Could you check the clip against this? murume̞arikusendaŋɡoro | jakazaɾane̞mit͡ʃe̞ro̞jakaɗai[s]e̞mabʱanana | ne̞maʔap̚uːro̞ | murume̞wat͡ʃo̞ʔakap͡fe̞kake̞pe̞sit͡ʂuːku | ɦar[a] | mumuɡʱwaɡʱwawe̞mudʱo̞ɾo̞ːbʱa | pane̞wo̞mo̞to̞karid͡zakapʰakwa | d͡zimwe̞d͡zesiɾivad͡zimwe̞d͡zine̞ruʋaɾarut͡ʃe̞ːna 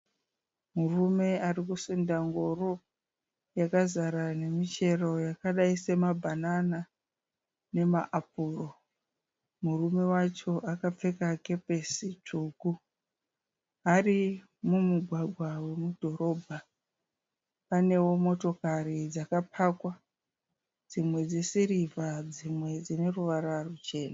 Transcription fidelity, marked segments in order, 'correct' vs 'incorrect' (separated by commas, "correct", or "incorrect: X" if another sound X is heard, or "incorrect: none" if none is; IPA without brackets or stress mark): correct, incorrect: i